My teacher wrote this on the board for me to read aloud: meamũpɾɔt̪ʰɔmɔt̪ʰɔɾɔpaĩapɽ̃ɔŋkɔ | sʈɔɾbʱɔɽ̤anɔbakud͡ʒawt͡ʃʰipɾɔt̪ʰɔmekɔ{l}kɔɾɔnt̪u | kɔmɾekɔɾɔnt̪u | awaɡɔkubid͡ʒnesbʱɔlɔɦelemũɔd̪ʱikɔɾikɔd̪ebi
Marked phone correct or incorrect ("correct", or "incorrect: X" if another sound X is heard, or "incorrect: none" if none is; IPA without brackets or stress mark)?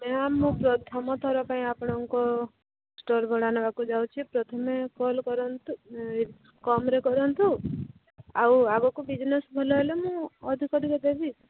correct